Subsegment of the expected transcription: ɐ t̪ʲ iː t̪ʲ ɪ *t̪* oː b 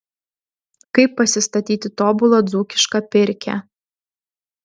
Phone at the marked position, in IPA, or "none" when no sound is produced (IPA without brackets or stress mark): t̪